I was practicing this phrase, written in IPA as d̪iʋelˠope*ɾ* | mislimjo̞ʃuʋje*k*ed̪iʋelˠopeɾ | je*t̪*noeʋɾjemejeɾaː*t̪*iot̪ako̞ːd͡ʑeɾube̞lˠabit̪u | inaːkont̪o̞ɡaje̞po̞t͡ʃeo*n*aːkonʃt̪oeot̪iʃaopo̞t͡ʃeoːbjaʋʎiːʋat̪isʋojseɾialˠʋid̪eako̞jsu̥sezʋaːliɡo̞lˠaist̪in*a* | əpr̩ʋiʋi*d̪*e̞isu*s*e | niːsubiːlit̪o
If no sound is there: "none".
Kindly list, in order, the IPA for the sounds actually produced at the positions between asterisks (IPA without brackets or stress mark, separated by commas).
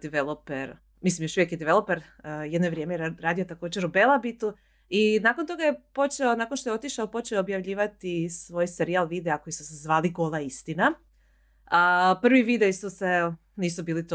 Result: ɾ, k, d̪, d̪, n, a, d̪, s